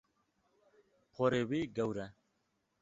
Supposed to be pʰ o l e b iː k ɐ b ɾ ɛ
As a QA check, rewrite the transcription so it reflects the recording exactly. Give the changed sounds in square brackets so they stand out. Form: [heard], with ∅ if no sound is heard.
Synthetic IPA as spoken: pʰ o [ɾ] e [w] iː [ɡ] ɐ [w] ɾ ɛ